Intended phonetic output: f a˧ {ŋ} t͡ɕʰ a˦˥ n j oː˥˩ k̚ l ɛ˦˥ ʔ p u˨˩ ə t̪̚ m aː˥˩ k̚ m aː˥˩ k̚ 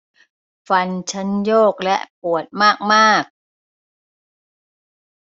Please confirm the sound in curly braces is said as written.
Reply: no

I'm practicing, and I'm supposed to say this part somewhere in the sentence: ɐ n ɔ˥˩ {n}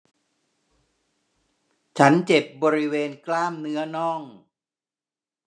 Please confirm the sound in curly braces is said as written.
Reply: no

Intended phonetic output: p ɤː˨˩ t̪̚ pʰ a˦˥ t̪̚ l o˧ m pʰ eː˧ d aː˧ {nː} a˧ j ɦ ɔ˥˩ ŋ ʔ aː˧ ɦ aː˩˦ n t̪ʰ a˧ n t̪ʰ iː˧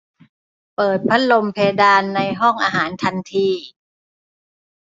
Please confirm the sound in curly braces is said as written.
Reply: yes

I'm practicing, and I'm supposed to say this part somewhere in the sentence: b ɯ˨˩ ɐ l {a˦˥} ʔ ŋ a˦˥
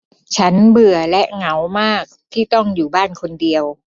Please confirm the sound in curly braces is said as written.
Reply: no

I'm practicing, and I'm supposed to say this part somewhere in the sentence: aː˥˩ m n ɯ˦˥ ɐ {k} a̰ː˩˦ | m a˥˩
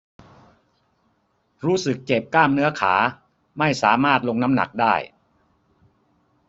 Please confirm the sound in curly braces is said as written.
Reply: no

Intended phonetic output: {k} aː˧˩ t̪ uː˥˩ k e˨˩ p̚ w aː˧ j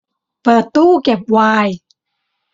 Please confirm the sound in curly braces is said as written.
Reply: no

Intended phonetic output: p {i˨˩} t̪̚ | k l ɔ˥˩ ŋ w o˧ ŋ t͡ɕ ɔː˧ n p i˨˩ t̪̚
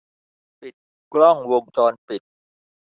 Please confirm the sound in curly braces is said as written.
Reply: yes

